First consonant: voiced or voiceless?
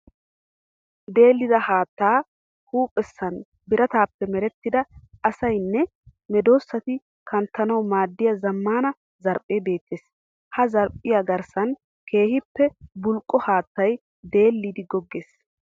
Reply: voiced